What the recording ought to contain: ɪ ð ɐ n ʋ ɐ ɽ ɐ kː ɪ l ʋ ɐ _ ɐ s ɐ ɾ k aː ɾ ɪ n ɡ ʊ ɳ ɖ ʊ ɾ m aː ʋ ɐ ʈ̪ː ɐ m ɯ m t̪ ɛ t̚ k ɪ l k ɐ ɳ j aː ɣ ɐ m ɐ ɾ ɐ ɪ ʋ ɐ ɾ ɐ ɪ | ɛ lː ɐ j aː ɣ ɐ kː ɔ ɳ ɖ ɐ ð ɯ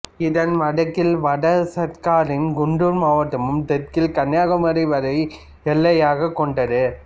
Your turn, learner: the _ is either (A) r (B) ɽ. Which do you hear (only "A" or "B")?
B